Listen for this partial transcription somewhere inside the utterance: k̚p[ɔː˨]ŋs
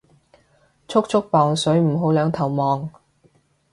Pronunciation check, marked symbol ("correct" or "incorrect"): correct